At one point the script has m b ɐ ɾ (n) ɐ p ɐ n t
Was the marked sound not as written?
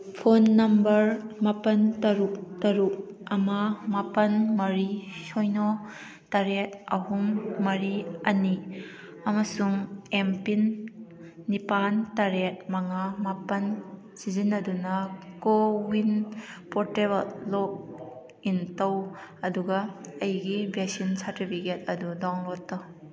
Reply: yes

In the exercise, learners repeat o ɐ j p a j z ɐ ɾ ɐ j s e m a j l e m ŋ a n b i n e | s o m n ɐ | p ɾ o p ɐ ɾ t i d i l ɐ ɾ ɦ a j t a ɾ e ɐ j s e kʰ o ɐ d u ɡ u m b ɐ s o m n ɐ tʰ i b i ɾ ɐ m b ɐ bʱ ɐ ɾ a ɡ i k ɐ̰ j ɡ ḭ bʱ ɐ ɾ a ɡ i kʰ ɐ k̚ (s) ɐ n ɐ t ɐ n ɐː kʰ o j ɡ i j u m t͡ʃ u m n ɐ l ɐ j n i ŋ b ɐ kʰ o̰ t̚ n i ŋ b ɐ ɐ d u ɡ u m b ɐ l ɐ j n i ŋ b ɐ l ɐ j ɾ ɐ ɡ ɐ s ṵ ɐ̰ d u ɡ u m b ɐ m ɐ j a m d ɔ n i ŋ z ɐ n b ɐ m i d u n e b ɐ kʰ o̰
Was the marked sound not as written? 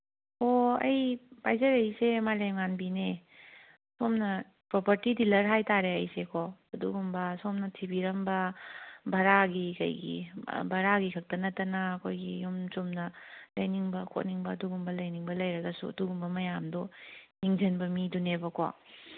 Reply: yes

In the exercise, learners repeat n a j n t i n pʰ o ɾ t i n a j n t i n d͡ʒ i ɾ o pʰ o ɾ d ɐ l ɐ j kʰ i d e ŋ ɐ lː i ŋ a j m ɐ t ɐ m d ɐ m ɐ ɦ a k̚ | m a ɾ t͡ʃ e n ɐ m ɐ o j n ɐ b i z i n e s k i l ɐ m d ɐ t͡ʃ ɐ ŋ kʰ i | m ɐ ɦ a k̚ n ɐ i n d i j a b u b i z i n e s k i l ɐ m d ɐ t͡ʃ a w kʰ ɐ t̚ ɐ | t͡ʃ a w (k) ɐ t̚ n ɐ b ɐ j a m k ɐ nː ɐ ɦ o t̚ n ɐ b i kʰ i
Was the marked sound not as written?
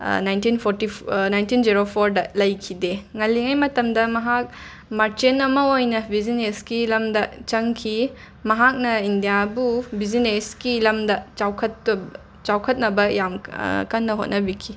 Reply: yes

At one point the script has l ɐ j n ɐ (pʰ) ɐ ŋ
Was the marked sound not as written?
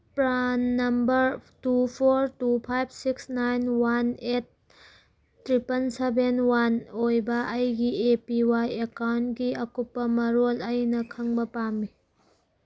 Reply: yes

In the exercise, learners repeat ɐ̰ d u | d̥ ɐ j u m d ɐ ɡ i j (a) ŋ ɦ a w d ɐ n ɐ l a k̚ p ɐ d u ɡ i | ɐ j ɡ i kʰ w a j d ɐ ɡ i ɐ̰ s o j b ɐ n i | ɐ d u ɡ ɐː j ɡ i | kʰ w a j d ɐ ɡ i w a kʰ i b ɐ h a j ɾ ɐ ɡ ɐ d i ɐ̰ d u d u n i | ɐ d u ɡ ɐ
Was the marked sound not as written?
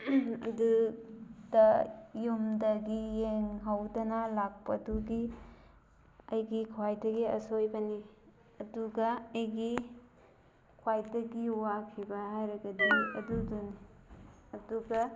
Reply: yes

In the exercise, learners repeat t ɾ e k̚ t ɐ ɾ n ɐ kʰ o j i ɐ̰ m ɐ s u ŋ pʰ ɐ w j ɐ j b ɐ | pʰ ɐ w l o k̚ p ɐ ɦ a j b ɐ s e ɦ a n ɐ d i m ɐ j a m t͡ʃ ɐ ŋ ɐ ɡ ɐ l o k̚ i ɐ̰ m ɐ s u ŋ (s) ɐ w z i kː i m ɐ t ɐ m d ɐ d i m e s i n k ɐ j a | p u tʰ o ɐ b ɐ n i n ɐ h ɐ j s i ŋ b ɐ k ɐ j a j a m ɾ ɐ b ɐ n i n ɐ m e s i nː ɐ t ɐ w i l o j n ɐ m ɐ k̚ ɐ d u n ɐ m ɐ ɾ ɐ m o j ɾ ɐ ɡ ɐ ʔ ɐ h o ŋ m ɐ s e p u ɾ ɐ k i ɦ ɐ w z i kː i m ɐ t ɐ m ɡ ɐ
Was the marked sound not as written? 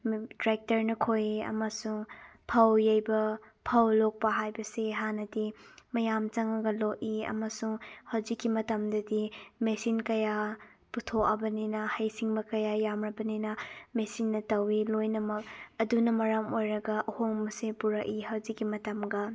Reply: yes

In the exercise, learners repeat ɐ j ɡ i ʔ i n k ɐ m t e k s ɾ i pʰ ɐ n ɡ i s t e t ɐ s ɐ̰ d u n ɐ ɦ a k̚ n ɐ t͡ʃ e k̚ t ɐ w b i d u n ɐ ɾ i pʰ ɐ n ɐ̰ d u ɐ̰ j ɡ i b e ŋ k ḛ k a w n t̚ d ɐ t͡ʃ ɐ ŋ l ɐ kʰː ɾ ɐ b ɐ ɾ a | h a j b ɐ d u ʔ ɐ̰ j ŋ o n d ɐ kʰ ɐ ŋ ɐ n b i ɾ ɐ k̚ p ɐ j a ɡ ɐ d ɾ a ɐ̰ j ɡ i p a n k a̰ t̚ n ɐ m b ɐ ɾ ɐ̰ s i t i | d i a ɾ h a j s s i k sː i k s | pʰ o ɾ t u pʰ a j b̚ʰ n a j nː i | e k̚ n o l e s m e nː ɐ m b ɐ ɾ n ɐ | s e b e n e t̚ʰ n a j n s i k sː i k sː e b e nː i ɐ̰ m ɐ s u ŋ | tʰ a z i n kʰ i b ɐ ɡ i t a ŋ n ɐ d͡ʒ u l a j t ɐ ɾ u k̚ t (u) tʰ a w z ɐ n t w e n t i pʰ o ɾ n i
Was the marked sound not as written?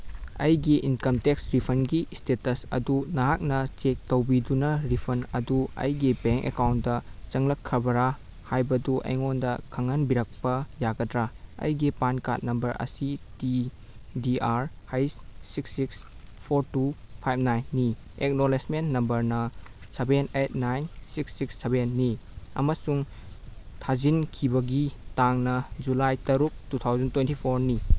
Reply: no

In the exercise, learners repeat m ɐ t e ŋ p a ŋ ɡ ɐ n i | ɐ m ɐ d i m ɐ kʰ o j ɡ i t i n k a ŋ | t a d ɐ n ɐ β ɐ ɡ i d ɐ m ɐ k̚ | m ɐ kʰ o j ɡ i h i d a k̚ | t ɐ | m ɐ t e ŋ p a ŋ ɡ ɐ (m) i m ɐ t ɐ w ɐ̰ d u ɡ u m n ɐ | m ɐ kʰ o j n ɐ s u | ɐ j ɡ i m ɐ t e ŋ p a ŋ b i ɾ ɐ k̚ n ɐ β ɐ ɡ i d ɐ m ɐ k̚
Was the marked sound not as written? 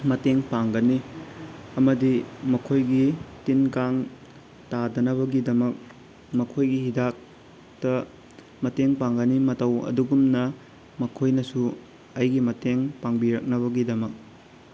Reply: yes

